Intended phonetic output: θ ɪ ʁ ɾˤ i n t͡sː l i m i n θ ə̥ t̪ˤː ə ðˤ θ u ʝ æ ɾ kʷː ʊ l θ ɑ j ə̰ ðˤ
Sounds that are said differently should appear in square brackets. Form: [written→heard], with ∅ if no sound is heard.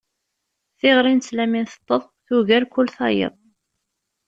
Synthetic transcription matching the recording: θ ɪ ʁ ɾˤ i n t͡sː l [i→æ] m i n θ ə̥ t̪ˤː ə ðˤ θ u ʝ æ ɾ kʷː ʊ l θ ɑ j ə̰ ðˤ